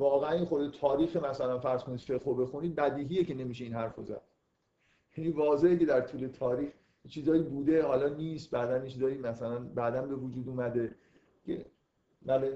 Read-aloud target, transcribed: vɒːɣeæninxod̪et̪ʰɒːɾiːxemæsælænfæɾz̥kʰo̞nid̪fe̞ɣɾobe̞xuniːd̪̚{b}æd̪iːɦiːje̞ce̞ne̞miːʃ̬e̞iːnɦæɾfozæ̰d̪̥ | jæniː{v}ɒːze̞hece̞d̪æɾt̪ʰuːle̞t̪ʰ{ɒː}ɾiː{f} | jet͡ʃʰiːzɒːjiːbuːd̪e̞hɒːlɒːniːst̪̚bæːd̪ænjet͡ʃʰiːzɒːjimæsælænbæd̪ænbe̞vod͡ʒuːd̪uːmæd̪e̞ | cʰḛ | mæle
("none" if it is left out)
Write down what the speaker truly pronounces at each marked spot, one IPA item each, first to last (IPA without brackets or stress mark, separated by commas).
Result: b, v, ɒː, x